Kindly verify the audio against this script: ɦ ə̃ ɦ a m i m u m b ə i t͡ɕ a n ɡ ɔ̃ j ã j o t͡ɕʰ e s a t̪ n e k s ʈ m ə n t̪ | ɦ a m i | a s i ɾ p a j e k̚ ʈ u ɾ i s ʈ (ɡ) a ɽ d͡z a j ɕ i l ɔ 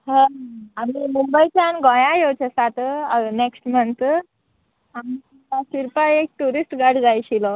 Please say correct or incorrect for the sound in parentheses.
correct